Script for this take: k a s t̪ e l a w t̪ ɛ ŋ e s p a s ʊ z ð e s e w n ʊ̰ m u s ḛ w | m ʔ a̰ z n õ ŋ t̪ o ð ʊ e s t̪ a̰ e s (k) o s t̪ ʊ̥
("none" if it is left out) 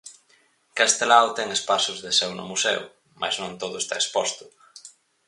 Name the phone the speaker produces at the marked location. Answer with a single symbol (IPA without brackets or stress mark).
p